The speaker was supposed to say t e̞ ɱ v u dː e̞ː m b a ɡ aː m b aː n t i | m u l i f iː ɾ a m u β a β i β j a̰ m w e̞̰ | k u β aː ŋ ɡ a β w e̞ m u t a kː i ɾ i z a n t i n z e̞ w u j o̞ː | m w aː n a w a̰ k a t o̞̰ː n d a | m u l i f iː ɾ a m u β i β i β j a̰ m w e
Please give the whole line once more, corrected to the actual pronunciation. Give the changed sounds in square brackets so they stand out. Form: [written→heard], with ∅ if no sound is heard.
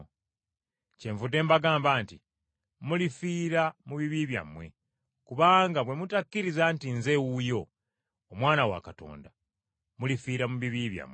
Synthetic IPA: [t→c] e̞ ɱ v u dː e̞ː m b a ɡ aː m b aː n t i | m u l i f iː ɾ a m u β [a→i] β i β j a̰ m w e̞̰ | k u β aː ŋ ɡ a β w e̞ m u t a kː i ɾ i z a n t i n z e̞ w u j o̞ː | m w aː n a w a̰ k a t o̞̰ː n d a | m u l i f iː ɾ a m u β i β i β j a̰ m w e